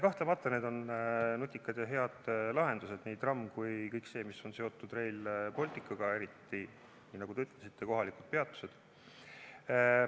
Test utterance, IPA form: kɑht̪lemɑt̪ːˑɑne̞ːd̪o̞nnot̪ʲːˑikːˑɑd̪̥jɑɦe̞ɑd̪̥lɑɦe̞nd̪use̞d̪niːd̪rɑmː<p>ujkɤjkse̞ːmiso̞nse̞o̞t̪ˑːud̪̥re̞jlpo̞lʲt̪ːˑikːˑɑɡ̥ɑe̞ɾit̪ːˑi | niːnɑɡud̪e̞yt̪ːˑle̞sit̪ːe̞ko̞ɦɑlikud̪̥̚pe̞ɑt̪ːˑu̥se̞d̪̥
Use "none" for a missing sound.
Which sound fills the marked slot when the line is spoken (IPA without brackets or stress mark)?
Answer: k